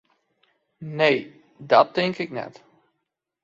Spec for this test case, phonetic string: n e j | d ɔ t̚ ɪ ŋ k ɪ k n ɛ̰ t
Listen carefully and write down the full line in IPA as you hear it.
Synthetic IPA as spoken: n e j | d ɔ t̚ ɪ ŋ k ɪ k n ɛ̰ t